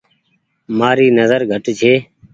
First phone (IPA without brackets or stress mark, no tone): m